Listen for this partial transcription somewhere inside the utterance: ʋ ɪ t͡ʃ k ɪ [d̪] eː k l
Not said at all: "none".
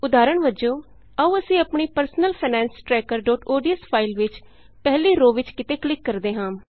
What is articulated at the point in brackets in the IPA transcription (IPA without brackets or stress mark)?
t̪